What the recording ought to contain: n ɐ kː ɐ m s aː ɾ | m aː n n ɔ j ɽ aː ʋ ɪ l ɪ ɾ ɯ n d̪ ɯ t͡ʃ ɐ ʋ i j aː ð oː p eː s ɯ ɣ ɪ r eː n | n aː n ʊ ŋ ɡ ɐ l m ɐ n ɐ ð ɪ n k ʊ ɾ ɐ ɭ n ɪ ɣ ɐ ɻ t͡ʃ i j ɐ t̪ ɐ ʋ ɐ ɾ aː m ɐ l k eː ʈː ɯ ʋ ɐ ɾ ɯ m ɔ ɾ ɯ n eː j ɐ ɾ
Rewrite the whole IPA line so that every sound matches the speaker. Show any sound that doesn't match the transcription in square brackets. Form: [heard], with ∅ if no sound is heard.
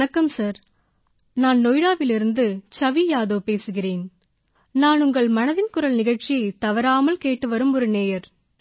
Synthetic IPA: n ɐ kː ɐ m s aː ɾ | [n] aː n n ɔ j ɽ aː ʋ ɪ l ɪ ɾ ɯ n d̪ ɯ t͡ʃ ɐ ʋ i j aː ð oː p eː s ɯ ɣ ɪ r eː n | n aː n ʊ ŋ ɡ ɐ [ɭ] m ɐ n ɐ ð ɪ n k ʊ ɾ ɐ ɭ n ɪ ɣ ɐ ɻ t͡ʃ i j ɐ t̪ ɐ ʋ ɐ ɾ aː m ɐ l k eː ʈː ɯ ʋ ɐ ɾ ɯ m ɔ ɾ ɯ n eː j ɐ ɾ